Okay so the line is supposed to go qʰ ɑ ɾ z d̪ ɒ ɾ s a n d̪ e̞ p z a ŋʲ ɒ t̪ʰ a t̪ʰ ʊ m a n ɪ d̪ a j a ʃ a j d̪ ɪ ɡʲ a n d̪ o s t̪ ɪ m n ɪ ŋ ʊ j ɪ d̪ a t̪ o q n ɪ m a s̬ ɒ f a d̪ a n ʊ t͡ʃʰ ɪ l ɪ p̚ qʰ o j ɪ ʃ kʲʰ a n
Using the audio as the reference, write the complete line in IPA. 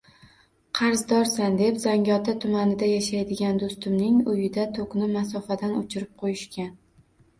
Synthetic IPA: qʰ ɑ ɾ z d̪ ɒ ɾ s a n d̪ e̞ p z a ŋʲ ɒ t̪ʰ a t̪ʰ ʊ m a n ɪ d̪ a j a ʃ a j d̪ ɪ ɡʲ a n d̪ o s t̪ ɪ m n ɪ ŋ ʊ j ɪ d̪ a t̪ʰ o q n ɪ m a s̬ ɒ f a d̪ a n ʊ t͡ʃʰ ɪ ɾ ɪ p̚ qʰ o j ɪ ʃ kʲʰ a n

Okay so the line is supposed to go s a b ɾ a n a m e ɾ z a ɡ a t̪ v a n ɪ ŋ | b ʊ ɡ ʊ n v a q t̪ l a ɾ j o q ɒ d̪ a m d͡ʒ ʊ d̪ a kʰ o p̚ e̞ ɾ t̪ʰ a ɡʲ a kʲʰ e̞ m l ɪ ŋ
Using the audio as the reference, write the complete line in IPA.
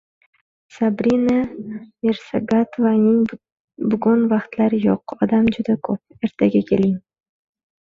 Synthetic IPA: s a b ɾ i n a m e ɾ s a ɡ a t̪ v a n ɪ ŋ | b ʊ ɡ ʊ n v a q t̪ l a ɾ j o q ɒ d̪ a m d͡ʒ ʊ d̪ a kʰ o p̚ e̞ ɾ t̪ʰ a ɡʲ a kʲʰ e̞ l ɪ ŋ

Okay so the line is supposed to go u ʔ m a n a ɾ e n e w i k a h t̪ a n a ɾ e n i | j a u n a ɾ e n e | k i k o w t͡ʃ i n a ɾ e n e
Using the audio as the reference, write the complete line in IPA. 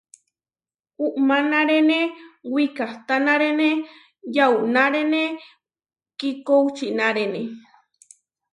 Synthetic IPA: u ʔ m a n a ɾ e n e w i k a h t̪ a n a ɾ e n e | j a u n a ɾ e n e | k i k o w t͡ʃ i n a ɾ e n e

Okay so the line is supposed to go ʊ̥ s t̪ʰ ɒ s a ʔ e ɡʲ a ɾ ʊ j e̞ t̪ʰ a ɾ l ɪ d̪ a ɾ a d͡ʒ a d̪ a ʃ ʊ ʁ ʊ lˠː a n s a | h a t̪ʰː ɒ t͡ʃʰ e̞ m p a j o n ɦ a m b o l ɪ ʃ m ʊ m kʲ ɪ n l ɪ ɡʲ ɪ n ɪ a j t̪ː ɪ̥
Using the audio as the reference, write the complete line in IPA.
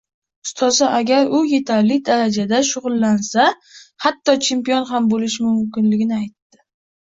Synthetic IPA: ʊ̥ s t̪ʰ ɒ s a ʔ a ɡʲ a ɾ ʊ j e̞ t̪ʰ a ɾ l ɪ d̪ a ɾ a d͡ʒ a d̪ a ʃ ʊ ʁ ʊ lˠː a n s a | h a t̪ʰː ɒ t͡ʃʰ e̞ m p i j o n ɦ a m b o l ɪ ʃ m ʊ m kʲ ɪ n l ɪ ɡʲ ɪ n ɪ a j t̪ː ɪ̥

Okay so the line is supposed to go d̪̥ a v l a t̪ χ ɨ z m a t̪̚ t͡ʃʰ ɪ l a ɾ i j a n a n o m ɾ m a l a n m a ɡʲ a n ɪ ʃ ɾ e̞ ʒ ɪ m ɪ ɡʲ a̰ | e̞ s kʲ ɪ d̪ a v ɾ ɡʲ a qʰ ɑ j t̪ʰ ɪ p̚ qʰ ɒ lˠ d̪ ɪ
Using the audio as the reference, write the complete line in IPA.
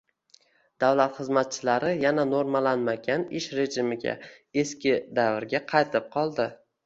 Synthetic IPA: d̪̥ a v l a t̪ χ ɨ z m a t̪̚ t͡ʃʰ ɪ l a ɾ ɪ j a n a n o ɾ m a l a n m a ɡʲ a n ɪ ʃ ɾ e̞ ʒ ɪ m ɪ ɡʲ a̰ | e̞ s kʲ ɪ d̪ a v ɾ ɡʲ a qʰ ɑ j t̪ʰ ɪ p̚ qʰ ɒ lˠ d̪ ɪ

